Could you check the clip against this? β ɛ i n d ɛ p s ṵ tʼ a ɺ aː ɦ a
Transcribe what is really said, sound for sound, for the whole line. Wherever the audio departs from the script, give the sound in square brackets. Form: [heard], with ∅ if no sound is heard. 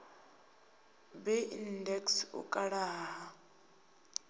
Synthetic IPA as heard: [b] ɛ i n d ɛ [k] s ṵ [kʼ] a ɺ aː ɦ a